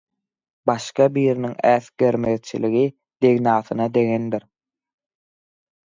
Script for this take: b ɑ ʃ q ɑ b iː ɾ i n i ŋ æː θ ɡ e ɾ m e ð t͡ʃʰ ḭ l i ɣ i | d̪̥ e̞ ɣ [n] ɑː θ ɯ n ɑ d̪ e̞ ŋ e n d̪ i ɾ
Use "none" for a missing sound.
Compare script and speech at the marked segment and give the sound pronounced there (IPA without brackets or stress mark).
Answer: n